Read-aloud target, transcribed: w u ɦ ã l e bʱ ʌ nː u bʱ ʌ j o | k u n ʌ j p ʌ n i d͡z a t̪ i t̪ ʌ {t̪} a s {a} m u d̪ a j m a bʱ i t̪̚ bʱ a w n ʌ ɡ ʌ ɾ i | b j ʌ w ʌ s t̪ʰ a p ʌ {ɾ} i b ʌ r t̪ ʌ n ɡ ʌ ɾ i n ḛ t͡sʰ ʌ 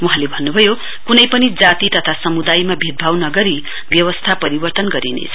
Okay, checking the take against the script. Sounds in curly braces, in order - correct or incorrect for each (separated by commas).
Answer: incorrect, incorrect, correct